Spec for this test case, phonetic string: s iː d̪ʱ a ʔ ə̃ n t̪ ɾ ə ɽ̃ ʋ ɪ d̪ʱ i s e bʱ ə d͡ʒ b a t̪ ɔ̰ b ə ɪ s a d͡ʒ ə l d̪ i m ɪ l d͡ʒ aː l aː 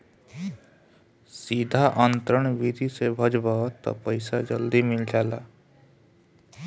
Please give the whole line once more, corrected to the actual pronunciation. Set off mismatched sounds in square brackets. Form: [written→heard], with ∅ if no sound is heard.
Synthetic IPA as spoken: s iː d̪ʱ a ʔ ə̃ n t̪ ɾ ə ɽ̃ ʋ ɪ d̪ʱ i s e bʱ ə d͡ʒ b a t̪ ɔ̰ [b→p] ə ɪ s a d͡ʒ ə l d̪ i m ɪ l d͡ʒ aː l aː